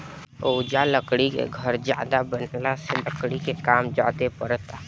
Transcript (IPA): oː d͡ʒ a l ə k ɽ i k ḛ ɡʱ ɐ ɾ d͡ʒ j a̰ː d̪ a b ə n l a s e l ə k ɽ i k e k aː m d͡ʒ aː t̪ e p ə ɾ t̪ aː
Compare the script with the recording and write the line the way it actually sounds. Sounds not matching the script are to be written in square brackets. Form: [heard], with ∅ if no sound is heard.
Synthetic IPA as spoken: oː d͡ʒ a l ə k ɽ i k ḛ ɡʱ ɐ ɾ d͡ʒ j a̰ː d̪ a b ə n l a s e l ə k ɽ i k e k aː m d͡ʒ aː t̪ e p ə ɾ t̪ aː

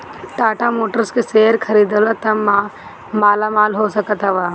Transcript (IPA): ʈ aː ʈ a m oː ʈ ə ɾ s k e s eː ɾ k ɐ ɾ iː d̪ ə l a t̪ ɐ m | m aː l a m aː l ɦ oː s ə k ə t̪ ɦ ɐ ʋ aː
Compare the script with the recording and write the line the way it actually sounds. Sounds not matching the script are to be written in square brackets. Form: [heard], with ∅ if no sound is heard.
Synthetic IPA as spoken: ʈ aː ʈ a m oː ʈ ə ɾ s k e s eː ɾ [kʰ] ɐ ɾ iː d̪ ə l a t̪ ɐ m | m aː l a m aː l ɦ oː s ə k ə t̪ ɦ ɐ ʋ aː

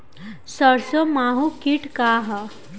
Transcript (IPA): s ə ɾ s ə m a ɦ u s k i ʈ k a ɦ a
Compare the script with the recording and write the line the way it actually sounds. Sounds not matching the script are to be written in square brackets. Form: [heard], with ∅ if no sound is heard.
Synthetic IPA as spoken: s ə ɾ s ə m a ɦ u [∅] k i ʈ k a ɦ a

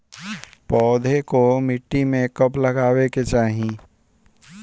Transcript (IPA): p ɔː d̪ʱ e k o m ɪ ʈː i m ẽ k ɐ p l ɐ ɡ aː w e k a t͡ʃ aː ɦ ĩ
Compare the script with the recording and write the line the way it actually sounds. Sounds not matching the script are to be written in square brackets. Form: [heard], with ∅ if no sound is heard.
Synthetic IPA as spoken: p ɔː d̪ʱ e k o m ɪ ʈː i m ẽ k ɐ p l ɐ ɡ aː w e k [e] t͡ʃ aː ɦ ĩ

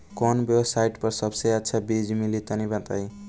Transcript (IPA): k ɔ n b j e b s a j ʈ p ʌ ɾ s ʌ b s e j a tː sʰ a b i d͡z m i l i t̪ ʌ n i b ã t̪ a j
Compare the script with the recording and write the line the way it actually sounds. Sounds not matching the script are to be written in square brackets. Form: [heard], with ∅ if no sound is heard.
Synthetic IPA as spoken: k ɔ n b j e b s a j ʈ p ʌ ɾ s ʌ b s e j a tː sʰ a b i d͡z m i l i t̪ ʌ n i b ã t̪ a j

